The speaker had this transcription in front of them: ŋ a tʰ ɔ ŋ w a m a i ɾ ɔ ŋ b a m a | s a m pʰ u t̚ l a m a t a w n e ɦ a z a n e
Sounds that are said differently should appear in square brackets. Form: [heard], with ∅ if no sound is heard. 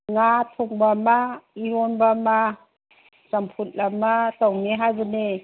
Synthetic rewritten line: ŋ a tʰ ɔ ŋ [b] a m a i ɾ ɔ [n] b a m a | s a m pʰ u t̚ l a m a t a w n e ɦ a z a n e